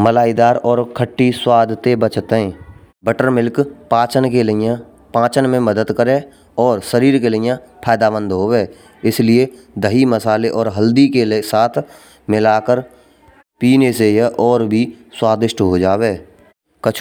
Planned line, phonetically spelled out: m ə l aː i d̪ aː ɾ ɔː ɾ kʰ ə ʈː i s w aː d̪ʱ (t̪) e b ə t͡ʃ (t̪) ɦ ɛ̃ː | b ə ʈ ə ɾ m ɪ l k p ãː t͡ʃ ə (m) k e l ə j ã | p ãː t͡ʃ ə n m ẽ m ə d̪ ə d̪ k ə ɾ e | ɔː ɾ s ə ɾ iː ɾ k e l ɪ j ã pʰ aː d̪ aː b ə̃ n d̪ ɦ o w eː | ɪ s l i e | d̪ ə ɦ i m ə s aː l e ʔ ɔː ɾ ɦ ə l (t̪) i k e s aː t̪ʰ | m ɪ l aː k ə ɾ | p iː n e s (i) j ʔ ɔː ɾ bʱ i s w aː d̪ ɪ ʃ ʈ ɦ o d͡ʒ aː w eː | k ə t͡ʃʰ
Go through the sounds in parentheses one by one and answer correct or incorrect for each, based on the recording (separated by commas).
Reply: correct, correct, incorrect, incorrect, incorrect